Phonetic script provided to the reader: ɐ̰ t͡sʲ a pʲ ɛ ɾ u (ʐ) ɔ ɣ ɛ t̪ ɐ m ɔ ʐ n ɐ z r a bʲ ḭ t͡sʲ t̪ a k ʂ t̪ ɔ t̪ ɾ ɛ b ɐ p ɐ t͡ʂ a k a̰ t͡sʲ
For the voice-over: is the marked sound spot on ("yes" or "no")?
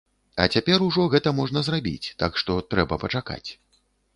yes